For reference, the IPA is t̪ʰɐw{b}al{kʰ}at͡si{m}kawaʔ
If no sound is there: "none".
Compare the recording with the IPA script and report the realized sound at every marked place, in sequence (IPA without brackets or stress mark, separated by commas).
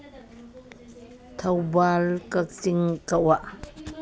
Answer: b, k, ŋ